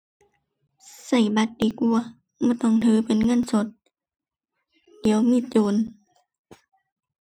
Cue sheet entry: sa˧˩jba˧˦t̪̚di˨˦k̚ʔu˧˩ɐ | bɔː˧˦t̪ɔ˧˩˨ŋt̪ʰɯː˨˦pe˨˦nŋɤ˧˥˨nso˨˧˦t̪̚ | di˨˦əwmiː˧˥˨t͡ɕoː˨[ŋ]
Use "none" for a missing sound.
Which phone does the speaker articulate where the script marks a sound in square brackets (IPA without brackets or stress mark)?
n